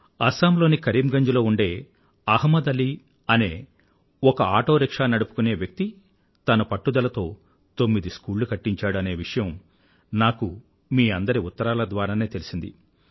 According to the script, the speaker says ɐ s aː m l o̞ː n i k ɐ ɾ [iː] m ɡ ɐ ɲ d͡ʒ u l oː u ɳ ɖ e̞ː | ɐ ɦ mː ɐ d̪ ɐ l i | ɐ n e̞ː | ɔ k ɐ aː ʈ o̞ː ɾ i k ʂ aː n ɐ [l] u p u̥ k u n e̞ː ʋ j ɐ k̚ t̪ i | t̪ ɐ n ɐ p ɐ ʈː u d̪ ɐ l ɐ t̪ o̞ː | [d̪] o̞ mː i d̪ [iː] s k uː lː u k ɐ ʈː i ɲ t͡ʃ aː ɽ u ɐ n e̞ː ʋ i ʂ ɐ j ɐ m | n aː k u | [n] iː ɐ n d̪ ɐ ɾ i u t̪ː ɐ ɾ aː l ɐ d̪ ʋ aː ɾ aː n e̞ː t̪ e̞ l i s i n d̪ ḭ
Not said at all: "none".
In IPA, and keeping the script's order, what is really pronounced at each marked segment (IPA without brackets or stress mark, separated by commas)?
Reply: iː, ɽ, t̪, i, m